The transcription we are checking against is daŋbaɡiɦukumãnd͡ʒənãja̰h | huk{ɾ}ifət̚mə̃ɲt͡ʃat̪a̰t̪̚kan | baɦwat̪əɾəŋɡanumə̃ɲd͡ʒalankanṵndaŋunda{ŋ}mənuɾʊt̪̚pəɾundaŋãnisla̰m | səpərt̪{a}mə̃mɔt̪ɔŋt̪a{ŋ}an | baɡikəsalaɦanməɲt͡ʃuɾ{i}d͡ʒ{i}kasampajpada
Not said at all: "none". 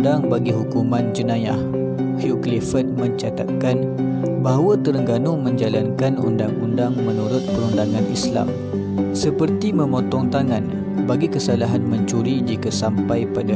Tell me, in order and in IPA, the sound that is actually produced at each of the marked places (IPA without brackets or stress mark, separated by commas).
l, ŋ, i, ŋ, i, i